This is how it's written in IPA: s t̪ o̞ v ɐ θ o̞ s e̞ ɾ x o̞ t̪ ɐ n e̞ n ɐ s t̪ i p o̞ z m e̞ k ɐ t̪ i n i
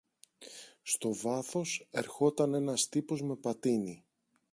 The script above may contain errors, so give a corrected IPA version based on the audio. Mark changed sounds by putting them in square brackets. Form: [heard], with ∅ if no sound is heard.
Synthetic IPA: s t̪ o̞ v ɐ θ o̞ s e̞ ɾ x o̞ t̪ ɐ n e̞ n ɐ s t̪ i p o̞ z m e̞ [p] ɐ t̪ i n i